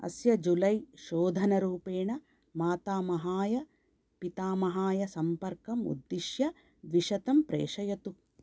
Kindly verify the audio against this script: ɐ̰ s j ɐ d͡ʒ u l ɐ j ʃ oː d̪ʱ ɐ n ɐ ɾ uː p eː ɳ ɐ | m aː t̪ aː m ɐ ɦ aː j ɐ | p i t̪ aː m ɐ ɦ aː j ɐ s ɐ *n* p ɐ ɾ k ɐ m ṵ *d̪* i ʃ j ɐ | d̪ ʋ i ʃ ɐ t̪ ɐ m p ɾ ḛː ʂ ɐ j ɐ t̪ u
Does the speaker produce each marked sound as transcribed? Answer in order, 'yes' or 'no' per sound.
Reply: no, no

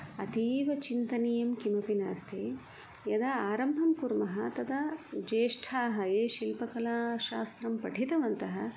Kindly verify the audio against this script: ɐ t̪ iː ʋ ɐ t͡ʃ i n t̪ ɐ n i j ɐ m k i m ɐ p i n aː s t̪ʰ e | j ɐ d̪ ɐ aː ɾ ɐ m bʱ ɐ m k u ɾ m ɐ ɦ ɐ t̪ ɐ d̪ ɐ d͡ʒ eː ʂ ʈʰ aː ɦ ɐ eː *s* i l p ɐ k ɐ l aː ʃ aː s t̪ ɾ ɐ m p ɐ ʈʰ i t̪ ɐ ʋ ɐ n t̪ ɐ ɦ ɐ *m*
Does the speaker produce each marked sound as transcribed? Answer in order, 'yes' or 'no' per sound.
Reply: no, no

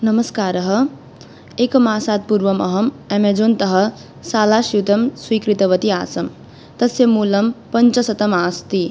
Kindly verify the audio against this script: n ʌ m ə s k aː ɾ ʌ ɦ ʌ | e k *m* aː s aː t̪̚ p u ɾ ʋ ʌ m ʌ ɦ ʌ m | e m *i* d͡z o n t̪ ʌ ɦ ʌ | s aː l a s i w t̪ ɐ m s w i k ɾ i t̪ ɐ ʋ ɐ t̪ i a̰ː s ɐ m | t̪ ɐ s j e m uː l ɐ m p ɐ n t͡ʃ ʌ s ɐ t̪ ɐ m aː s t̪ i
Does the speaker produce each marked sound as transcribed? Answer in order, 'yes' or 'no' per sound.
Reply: yes, no

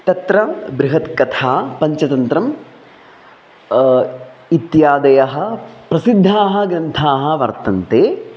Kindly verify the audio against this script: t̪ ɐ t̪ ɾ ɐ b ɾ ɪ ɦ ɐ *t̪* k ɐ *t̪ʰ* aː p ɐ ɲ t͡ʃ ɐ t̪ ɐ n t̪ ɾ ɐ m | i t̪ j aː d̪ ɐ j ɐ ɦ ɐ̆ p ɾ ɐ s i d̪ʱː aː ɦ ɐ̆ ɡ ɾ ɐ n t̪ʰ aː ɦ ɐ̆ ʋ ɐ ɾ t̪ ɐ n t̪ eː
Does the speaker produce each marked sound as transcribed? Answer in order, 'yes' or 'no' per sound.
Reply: yes, yes

